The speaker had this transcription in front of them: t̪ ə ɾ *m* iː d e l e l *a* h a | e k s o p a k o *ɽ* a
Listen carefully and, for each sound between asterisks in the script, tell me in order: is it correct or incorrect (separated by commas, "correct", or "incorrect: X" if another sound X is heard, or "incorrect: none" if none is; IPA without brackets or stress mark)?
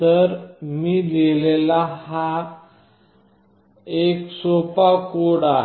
correct, correct, correct